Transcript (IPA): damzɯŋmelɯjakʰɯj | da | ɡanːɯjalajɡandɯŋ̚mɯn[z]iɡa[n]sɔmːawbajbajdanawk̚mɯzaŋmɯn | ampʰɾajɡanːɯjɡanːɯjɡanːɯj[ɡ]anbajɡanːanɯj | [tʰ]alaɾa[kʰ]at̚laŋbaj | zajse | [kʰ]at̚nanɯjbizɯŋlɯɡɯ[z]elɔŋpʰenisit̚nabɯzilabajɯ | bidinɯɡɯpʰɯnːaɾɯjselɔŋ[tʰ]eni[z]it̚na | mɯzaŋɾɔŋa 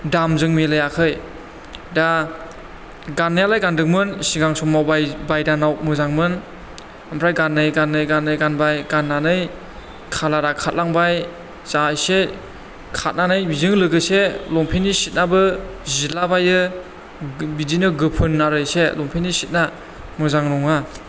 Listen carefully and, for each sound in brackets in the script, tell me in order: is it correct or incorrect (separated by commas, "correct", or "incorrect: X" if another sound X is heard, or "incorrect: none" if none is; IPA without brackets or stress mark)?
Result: incorrect: s, incorrect: ŋ, correct, incorrect: kʰ, correct, correct, incorrect: s, incorrect: pʰ, incorrect: s